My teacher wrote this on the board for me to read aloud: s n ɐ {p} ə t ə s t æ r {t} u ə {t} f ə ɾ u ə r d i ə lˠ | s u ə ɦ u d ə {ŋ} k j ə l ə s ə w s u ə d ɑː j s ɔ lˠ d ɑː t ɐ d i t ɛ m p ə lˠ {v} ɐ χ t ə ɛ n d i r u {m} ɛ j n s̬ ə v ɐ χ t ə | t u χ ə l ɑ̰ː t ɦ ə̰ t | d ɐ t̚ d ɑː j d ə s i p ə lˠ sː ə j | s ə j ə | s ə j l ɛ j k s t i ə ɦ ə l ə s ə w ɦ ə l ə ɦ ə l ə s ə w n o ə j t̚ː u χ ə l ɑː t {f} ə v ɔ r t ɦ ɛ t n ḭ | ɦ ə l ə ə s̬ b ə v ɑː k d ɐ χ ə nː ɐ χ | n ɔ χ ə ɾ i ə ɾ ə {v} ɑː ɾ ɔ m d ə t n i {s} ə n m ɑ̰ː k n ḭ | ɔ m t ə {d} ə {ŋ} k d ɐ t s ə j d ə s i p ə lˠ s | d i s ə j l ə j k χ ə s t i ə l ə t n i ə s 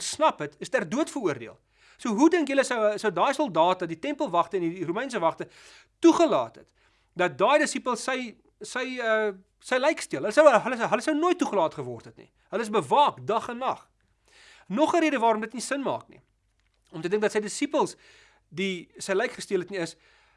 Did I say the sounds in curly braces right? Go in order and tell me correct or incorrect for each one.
correct, incorrect: d, correct, correct, correct, correct, incorrect: χ, correct, correct, correct, correct

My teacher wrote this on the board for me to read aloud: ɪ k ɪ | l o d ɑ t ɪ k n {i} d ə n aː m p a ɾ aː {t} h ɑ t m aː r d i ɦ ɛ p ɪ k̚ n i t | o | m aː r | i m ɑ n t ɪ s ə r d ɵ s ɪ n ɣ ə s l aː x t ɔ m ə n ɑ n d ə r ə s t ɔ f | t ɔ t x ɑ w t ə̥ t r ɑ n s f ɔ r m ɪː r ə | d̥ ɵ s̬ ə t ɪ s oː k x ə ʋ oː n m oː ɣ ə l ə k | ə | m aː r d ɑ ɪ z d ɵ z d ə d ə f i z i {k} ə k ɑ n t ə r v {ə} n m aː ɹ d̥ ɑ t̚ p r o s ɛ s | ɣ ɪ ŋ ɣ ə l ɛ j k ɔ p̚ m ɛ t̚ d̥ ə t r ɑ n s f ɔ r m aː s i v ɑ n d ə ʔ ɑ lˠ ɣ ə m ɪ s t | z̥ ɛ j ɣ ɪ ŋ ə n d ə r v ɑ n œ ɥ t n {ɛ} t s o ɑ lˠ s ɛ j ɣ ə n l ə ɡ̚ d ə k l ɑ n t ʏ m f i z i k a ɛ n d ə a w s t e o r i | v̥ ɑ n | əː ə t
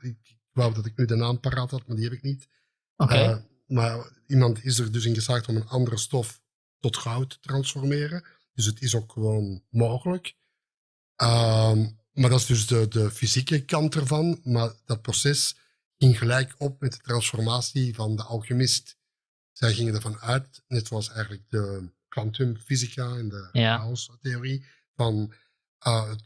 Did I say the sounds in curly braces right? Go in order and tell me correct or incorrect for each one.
incorrect: y, correct, correct, incorrect: ɑ, correct

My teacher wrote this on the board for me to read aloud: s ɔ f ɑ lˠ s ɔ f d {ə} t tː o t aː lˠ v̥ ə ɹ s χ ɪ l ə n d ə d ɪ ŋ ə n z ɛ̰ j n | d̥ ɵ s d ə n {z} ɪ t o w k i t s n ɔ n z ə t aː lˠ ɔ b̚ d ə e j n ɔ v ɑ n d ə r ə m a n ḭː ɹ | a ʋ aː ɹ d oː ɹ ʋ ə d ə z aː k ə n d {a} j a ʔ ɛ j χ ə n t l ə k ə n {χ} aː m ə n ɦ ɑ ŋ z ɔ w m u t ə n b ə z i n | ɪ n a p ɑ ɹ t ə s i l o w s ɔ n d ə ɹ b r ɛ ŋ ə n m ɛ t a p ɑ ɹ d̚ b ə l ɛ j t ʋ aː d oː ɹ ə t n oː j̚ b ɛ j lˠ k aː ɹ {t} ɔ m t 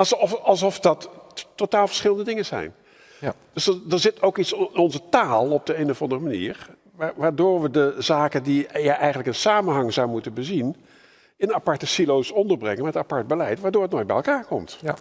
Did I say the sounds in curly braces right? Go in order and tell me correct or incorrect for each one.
incorrect: ɑ, correct, incorrect: i, incorrect: s, incorrect: k

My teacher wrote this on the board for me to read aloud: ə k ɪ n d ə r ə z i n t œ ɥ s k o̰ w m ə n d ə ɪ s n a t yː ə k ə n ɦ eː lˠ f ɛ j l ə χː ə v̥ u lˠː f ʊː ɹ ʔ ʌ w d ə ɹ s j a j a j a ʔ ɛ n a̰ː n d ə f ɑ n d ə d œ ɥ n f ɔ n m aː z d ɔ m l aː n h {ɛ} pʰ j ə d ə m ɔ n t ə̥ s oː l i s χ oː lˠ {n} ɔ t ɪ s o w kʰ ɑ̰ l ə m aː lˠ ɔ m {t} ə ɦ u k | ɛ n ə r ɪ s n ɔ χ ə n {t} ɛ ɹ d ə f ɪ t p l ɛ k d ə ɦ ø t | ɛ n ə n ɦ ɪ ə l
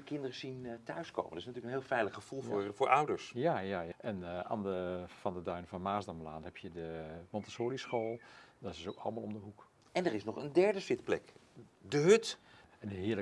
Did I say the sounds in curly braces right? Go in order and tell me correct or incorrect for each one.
correct, incorrect: d, incorrect: d, incorrect: d

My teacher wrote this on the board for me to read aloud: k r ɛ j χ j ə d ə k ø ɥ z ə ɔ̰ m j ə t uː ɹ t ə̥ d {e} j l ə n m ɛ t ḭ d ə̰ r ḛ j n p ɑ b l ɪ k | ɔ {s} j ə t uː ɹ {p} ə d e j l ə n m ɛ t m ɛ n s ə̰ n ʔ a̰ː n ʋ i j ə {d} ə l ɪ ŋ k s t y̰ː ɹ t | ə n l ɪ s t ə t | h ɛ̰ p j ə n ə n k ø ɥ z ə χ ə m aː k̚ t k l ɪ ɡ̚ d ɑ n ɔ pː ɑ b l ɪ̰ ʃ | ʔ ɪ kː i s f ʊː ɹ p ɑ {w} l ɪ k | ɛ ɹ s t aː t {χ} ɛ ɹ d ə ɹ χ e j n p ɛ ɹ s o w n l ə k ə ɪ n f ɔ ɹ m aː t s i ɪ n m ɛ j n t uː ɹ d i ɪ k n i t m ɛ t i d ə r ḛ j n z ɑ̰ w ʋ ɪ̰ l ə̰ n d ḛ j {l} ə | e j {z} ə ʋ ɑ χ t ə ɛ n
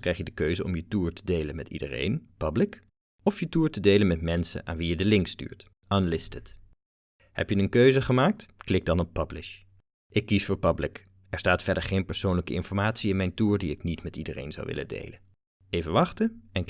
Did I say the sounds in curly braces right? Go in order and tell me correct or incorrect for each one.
correct, incorrect: f, incorrect: t, correct, incorrect: b, incorrect: f, correct, incorrect: v

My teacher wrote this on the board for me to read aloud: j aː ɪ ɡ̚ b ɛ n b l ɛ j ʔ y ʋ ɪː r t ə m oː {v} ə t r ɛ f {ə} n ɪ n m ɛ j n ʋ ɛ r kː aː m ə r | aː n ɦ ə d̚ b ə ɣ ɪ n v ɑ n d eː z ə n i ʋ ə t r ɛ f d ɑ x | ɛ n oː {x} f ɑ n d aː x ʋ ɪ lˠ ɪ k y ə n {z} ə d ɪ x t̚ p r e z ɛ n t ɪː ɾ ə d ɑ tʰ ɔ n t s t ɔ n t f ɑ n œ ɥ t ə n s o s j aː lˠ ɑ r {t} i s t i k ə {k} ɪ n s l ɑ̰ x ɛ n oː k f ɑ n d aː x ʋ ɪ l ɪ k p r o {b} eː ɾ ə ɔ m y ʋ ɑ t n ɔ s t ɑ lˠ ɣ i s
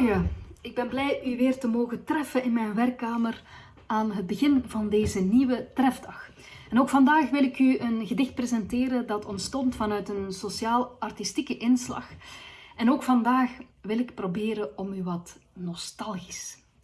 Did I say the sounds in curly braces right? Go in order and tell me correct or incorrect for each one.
incorrect: ɣ, correct, incorrect: k, incorrect: ɣ, correct, incorrect: ʔ, correct

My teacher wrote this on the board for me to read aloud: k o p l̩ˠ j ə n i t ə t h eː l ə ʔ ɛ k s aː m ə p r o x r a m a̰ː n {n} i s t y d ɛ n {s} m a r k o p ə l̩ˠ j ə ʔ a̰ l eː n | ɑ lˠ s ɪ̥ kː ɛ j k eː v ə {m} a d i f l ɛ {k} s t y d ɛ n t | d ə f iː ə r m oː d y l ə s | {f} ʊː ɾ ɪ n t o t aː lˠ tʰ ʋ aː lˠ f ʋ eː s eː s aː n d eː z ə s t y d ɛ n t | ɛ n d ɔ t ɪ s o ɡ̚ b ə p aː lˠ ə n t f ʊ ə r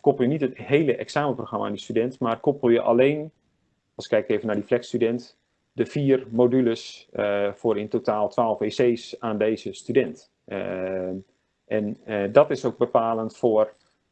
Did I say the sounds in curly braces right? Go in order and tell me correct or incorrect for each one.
incorrect: d, incorrect: t, incorrect: n, correct, correct

